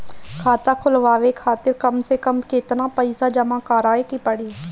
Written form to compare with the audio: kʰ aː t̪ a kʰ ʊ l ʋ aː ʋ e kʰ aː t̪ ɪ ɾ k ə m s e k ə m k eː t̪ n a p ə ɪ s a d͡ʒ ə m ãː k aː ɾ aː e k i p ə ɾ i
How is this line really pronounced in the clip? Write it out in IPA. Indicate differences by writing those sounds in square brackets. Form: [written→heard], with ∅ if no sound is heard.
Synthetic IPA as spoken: kʰ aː t̪ a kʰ ʊ l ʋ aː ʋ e kʰ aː t̪ ɪ ɾ k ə m s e k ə m k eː t̪ n a p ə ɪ s a d͡ʒ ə m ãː k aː ɾ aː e k i p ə [ɾ→ɽ] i